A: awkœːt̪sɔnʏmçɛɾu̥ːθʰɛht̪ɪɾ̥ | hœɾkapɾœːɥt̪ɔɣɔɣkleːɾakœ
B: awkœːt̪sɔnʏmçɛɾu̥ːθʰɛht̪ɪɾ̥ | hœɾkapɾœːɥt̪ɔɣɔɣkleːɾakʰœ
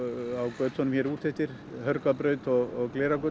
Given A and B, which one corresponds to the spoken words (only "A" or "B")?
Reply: A